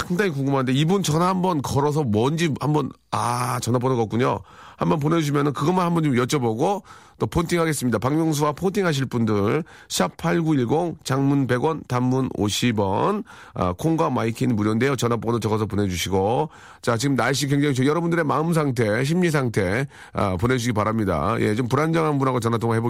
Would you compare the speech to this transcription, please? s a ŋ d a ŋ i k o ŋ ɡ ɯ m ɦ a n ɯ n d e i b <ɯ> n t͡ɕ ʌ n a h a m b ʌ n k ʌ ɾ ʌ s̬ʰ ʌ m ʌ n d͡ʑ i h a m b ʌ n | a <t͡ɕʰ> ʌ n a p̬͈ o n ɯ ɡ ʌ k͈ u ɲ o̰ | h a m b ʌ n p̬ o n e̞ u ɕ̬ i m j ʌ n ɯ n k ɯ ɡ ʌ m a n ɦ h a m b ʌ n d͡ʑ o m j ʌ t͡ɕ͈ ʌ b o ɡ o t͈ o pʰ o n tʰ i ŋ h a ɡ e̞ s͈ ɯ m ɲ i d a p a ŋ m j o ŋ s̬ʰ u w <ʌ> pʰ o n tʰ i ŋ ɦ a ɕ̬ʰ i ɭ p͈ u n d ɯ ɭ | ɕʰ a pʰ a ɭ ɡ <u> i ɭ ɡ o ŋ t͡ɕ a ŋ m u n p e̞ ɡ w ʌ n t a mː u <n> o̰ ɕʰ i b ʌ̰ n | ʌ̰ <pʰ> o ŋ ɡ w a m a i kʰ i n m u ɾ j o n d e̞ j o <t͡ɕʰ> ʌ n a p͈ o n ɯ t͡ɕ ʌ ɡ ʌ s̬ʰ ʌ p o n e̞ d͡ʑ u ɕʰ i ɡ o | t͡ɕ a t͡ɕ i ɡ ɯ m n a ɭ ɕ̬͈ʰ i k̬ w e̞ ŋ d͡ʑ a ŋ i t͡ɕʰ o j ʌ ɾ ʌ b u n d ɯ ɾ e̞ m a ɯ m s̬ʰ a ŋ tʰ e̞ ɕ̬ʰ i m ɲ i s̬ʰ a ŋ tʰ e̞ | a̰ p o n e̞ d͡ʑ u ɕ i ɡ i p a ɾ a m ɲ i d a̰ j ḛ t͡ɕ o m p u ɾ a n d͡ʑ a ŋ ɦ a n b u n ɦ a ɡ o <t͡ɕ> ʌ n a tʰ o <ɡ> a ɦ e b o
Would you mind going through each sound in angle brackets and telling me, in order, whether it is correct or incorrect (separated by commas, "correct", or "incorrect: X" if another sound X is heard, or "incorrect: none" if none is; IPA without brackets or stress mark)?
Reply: incorrect: u, incorrect: t͡ɕ, incorrect: a, correct, correct, incorrect: kʰ, incorrect: t͡ɕ, correct, incorrect: ŋ